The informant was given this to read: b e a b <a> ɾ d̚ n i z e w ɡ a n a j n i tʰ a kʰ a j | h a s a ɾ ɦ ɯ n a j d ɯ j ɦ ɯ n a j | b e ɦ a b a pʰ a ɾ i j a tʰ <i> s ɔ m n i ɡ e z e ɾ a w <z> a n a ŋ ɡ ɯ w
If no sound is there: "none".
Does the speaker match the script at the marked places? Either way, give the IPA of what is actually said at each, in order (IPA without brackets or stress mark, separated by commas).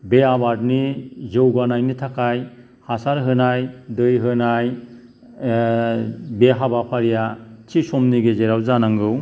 a, i, z